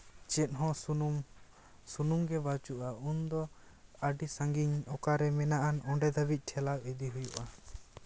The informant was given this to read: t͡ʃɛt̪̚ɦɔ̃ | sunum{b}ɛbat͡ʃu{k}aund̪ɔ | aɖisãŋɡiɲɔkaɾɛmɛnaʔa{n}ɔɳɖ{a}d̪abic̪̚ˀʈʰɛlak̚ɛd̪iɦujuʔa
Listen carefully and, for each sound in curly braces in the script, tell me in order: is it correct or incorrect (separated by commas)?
incorrect, incorrect, correct, incorrect